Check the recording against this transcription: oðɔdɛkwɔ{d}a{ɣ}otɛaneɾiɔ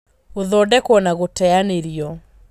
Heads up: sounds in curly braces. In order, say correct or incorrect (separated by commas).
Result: incorrect, correct